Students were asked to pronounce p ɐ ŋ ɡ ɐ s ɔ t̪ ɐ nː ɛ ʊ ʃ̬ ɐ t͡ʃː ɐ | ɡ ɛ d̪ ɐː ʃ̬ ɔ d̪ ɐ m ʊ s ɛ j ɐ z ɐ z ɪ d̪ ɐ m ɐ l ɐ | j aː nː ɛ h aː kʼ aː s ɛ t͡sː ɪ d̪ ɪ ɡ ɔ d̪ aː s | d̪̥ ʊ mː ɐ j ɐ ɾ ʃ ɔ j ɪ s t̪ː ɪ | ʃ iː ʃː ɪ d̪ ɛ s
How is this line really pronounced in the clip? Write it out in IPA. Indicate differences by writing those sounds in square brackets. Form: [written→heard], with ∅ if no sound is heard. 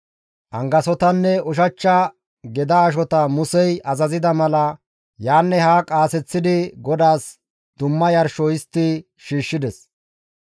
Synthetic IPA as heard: [p→ʔ] ɐ ŋ ɡ ɐ s ɔ t̪ ɐ nː ɛ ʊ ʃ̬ ɐ t͡ʃː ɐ | ɡ ɛ d̪ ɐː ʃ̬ ɔ [d̪→t̪] ɐ m ʊ s ɛ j ɐ z ɐ z ɪ d̪ ɐ m ɐ l ɐ | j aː nː ɛ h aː kʼ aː s ɛ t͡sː ɪ d̪ ɪ ɡ ɔ d̪ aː s | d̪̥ ʊ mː ɐ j ɐ ɾ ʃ ɔ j ɪ s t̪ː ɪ | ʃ iː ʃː ɪ d̪ ɛ s